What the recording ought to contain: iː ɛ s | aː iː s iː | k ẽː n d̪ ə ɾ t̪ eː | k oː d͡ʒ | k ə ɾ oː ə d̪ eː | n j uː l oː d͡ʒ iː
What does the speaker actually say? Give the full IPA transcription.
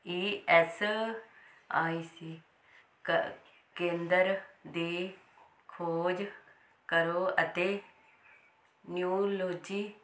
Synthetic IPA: iː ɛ s | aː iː s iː | k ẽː n d̪ ə ɾ d̪ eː | kʰ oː d͡ʒ | k ə ɾ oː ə t̪ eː | n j uː l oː d͡ʒ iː